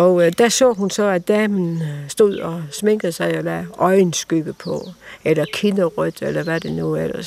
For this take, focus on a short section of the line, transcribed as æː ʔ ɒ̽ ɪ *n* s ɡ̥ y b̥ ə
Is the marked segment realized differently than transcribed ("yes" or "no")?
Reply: no